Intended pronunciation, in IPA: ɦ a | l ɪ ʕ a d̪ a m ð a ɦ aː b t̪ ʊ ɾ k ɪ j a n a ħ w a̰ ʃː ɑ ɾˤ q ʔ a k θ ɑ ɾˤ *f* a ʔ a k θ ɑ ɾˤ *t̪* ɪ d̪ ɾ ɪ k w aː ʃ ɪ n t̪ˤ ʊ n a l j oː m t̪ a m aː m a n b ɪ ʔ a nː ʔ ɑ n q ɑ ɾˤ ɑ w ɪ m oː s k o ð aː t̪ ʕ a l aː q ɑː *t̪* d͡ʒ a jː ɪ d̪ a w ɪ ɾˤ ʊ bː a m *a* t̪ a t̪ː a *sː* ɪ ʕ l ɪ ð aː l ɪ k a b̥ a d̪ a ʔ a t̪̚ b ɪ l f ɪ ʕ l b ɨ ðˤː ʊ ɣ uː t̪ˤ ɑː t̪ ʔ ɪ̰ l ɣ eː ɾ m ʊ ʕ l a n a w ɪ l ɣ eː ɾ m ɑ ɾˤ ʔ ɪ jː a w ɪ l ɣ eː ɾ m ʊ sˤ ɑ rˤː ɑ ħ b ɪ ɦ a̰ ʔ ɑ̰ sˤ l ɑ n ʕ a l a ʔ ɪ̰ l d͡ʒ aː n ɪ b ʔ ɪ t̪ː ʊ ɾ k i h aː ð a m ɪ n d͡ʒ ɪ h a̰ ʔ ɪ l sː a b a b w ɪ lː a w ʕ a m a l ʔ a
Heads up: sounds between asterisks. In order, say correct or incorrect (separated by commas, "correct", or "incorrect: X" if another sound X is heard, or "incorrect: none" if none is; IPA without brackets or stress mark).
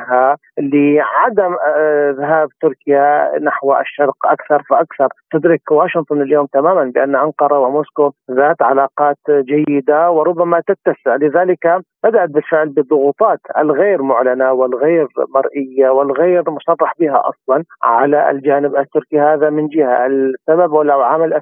correct, correct, correct, correct, incorrect: s